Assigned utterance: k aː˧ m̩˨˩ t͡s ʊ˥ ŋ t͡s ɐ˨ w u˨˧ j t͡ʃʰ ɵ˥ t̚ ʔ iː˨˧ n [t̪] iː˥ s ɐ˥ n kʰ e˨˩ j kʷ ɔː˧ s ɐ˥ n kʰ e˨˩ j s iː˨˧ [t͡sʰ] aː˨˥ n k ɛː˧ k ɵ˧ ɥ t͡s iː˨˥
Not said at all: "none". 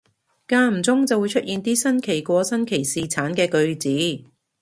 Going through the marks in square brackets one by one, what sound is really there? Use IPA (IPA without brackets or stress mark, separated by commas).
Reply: t̪, t͡sʰ